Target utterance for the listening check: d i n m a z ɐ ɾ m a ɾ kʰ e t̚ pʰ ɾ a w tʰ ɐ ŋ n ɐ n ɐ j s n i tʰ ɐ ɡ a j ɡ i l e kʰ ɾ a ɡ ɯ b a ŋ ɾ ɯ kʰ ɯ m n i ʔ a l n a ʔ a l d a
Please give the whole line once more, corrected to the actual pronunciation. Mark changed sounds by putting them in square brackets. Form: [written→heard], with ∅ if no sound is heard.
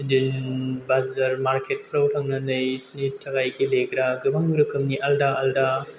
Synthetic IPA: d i n [m→b] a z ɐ ɾ m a ɾ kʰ e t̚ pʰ ɾ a w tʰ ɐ ŋ n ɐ n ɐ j s n i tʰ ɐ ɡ a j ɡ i l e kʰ ɾ a ɡ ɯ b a ŋ ɾ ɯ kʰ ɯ m n i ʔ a l [n→d] a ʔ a l d a